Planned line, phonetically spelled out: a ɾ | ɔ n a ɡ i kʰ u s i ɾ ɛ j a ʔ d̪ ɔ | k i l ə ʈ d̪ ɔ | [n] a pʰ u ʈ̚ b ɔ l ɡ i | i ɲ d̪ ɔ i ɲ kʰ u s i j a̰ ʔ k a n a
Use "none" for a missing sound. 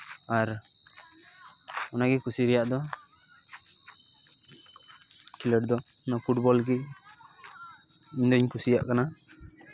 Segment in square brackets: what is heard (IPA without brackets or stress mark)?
n